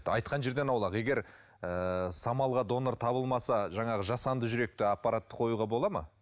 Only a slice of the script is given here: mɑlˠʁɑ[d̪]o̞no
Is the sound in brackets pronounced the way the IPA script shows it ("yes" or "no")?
yes